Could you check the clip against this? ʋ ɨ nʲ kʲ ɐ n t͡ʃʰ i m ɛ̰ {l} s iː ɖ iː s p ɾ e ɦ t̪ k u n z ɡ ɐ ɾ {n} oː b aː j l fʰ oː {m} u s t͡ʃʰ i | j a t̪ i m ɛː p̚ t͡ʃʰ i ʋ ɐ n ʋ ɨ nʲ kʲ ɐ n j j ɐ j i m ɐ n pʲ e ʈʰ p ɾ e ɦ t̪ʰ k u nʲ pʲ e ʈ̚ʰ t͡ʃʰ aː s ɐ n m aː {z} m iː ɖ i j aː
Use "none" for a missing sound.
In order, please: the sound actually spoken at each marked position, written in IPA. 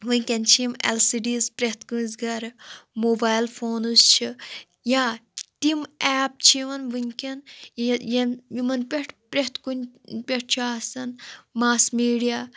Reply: l, m, n, s

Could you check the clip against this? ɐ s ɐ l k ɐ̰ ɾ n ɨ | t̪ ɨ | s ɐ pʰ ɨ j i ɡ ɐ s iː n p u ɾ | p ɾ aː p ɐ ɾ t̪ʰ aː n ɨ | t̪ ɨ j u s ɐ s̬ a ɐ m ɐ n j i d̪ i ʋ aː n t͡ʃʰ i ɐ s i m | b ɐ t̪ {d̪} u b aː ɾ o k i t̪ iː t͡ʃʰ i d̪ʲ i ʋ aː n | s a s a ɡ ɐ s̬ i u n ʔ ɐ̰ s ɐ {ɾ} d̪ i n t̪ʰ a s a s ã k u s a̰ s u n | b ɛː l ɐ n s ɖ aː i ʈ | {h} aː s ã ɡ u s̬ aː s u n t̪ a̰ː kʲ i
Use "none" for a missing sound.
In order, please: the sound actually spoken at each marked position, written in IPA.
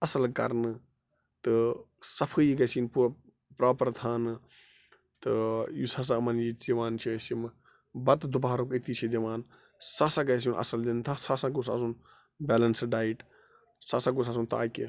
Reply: d̪, l, s

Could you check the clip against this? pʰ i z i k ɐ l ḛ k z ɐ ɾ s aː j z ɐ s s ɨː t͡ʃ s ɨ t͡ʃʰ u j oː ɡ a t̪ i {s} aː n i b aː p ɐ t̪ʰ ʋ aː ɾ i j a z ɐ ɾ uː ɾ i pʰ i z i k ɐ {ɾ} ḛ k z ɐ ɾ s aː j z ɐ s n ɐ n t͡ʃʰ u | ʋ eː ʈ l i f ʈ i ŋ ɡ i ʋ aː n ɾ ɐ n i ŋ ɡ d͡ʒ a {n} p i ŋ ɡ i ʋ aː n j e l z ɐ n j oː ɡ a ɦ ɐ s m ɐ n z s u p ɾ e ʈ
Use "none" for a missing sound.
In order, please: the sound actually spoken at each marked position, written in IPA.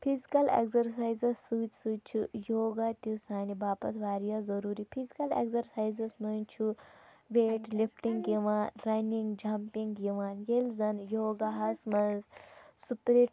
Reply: s, l, m

